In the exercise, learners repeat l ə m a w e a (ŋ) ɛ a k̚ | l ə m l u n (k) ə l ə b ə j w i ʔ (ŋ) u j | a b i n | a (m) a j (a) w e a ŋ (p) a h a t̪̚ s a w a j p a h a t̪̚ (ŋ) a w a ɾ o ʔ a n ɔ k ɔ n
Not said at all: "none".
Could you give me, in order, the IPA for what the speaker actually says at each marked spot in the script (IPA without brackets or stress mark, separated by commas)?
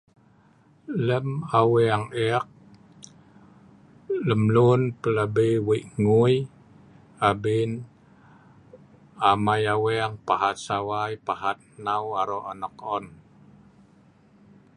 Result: ŋ, p, ŋ, m, a, p, n